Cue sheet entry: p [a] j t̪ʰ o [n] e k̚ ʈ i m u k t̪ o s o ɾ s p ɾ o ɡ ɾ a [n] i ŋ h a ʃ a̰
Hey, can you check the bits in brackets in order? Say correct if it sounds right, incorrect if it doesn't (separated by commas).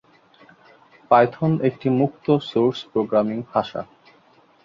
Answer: correct, correct, incorrect